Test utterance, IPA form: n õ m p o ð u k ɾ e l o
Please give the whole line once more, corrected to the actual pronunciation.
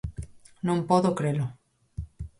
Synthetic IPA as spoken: n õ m p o ð o k ɾ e l o